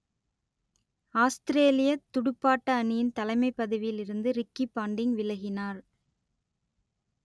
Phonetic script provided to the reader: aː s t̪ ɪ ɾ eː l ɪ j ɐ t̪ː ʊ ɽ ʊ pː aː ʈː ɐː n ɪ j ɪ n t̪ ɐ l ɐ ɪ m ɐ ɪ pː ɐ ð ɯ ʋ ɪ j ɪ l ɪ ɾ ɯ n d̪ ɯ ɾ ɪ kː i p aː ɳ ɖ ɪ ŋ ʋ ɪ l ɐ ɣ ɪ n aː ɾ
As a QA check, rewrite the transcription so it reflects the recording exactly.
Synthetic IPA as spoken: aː s t̪ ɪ ɾ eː l ɪ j ɐ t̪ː ʊ ɽ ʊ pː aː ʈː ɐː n ɪ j ɪ n t̪ ɐ l ɐ ɪ m ɐ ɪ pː ɐ ð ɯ ʋ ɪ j ɪ l ɪ ɾ ɯ n d̪ ɯ ɾ ɪ kː i p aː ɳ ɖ ɪ ŋ ʋ ɪ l ɐ ɣ ɪ n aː ɾ